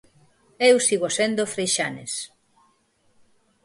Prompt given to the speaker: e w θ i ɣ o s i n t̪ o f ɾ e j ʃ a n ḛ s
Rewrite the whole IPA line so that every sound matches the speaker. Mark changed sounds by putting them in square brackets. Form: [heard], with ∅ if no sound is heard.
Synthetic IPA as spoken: e w [s] i ɣ o s [e] n [d̪] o f ɾ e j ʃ a n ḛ s